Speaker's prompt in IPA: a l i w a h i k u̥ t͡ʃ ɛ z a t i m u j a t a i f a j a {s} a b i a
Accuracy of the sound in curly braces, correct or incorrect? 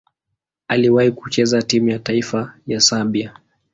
correct